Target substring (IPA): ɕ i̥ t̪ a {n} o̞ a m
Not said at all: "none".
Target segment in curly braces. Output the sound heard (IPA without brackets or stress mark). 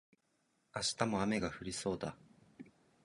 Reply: m